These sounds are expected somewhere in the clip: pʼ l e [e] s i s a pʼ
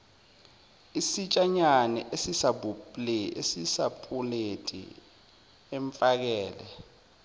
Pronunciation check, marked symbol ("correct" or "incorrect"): correct